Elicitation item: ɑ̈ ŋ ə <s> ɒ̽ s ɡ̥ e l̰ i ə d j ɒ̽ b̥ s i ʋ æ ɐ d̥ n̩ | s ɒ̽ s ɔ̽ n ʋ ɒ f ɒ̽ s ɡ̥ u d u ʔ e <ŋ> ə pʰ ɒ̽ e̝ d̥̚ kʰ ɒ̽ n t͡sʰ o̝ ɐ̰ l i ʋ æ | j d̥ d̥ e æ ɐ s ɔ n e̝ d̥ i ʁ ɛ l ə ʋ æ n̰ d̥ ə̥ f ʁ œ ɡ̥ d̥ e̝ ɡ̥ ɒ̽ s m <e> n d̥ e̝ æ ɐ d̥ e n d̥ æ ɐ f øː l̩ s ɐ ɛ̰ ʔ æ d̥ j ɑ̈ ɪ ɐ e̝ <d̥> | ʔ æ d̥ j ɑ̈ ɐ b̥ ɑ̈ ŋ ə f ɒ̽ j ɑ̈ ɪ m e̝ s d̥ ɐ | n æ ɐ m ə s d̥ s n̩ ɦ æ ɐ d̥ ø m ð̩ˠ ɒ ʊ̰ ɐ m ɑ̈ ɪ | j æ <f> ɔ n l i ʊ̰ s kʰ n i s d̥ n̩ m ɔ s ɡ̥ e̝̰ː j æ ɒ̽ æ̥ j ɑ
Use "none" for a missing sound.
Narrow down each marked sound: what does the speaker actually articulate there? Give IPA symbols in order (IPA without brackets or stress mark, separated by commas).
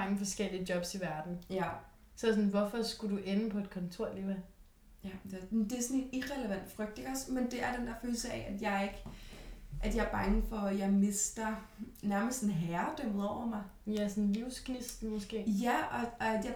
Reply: f, n, e, ɡ̥, s